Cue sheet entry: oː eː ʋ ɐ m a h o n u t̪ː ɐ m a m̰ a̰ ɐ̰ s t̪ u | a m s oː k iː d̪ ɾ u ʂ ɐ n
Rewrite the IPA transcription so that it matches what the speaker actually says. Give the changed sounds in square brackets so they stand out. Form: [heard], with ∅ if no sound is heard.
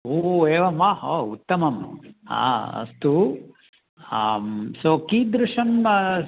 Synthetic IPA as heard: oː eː ʋ ɐ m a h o [∅] u t̪ː ɐ m [ɐ] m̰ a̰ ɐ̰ s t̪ u | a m s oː k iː d̪ ɾ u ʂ ɐ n